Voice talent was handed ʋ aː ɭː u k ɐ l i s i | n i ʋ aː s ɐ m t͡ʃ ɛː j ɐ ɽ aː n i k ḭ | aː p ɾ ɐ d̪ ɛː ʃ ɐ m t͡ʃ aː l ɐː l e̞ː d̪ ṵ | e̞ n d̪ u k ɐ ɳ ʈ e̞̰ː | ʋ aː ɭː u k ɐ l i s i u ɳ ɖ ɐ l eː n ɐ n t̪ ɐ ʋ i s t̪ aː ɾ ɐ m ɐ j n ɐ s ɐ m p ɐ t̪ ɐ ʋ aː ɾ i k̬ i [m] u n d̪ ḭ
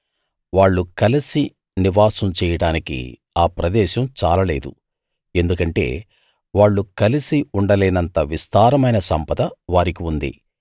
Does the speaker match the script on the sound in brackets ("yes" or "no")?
no